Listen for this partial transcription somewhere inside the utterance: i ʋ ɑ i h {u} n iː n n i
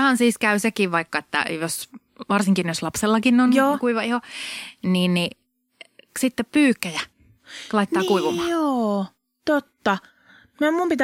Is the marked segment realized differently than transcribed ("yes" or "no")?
yes